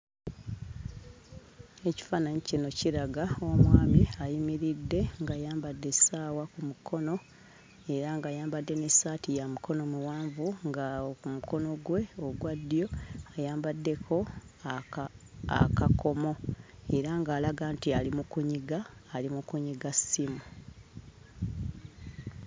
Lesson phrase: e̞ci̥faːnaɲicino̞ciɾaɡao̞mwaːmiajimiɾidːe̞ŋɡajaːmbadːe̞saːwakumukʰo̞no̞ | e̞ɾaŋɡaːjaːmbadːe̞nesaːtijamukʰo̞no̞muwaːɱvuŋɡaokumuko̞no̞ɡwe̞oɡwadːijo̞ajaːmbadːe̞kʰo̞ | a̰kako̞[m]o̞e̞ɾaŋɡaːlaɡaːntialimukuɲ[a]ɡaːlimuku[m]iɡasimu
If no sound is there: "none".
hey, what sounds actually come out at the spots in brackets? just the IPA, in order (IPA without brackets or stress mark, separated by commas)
m, i, ɲ